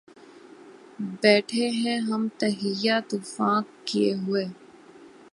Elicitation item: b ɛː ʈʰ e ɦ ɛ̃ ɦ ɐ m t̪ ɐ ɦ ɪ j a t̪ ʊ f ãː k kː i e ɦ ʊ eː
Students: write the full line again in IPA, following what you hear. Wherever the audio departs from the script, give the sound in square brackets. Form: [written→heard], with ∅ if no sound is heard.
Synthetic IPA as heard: b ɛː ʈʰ e ɦ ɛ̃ ɦ ɐ m t̪ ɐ ɦ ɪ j a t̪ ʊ f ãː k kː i e ɦ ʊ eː